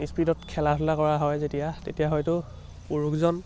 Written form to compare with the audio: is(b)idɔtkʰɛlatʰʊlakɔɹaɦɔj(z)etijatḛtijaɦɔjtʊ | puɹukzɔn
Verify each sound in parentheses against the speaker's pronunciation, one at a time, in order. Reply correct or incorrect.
incorrect, correct

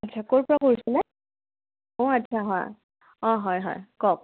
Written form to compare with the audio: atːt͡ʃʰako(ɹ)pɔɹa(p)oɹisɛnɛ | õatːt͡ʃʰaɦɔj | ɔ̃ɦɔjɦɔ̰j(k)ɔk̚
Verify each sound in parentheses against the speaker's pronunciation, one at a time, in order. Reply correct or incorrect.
correct, incorrect, correct

